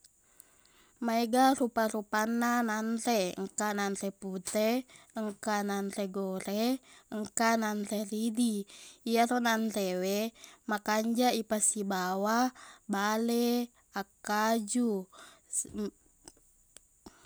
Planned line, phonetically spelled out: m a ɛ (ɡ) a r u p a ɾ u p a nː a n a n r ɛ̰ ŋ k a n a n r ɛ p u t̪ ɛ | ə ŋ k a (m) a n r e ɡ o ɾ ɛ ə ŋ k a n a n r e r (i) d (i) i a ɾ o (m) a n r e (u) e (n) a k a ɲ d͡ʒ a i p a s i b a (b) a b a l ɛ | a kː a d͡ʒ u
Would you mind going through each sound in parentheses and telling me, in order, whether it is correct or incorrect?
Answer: correct, incorrect: n, correct, correct, incorrect: n, incorrect: w, incorrect: m, incorrect: w

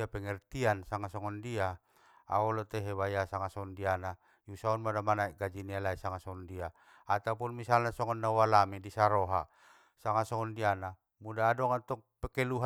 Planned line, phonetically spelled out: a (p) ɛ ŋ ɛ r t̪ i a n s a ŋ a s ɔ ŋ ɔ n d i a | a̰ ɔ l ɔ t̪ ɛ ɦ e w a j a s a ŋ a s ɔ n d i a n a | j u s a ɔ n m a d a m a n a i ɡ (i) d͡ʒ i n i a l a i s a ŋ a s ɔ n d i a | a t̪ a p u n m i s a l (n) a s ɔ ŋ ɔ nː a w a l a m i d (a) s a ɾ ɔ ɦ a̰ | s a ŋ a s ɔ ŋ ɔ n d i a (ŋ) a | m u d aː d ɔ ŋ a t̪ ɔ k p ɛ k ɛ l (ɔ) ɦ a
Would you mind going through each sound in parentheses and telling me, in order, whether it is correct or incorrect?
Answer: correct, incorrect: a, correct, incorrect: i, incorrect: n, incorrect: u

